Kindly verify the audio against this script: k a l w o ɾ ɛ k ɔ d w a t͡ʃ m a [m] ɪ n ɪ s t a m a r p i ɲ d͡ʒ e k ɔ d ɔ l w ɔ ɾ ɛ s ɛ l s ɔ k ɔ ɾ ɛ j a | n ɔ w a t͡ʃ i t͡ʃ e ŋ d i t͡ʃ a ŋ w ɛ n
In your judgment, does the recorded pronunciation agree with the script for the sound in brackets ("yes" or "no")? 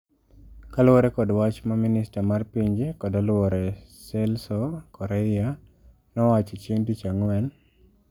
yes